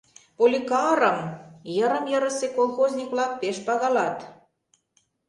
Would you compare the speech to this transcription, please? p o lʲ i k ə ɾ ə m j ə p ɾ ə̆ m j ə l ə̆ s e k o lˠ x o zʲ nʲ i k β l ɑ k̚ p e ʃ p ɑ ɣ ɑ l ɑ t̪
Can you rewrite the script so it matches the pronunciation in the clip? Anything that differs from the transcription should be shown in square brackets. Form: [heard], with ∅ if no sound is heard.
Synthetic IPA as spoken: p o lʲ i k [ɑ] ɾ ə m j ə [∅] ɾ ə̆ m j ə [ɾ] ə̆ s e k o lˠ x o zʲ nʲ i k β l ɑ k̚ p e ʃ p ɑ ɣ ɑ l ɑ t̪